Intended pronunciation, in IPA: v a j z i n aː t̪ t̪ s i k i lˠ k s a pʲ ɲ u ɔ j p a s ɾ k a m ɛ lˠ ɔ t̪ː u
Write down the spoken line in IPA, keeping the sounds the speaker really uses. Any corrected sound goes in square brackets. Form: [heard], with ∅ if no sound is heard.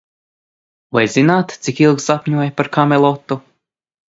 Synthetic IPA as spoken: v a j z i n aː t̪ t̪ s i k i lˠ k s a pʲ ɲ u ɔ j p a [∅] ɾ k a m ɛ lˠ ɔ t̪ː u